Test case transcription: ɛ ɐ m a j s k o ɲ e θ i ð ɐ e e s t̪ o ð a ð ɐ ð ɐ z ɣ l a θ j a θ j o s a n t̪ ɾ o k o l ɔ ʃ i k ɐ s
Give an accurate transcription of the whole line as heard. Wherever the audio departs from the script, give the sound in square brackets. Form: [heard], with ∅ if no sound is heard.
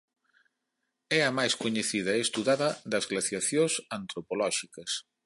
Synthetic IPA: ɛ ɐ m a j s k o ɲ e θ i ð ɐ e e s t̪ [u] ð a ð ɐ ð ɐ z ɣ l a θ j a θ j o s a n t̪ ɾ o [p] o l ɔ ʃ i k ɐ s